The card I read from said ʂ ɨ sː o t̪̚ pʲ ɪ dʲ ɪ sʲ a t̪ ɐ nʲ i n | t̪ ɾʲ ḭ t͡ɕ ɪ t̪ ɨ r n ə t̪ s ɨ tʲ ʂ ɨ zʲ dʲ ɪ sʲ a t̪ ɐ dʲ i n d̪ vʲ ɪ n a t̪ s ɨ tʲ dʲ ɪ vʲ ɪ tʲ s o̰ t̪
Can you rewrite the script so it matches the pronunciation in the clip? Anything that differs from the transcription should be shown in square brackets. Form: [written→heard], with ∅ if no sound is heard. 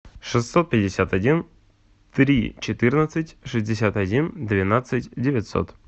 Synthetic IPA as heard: ʂ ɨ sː o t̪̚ pʲ ɪ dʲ ɪ sʲ a t̪ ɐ [nʲ→dʲ] i n | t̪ ɾʲ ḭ t͡ɕ ɪ t̪ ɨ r n ə t̪ s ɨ tʲ ʂ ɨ zʲ dʲ ɪ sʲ a t̪ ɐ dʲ i n d̪ vʲ ɪ n a t̪ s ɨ tʲ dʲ ɪ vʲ ɪ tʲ s o̰ t̪